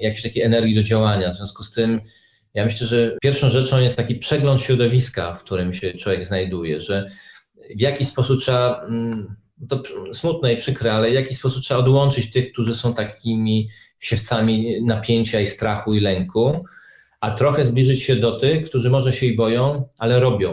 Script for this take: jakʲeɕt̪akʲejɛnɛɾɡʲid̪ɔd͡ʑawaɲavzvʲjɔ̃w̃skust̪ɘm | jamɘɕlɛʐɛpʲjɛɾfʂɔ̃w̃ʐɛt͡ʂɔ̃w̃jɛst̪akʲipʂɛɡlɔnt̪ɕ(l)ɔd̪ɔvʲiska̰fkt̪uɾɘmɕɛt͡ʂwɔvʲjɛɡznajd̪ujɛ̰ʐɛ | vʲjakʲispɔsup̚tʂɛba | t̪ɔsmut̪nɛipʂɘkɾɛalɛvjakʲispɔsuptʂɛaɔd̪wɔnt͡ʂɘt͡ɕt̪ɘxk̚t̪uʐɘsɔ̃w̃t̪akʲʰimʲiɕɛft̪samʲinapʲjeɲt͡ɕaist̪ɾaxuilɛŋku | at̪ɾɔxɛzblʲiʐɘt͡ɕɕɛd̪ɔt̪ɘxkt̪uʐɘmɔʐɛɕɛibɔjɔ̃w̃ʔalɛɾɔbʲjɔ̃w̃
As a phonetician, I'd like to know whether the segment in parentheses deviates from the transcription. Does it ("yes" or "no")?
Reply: yes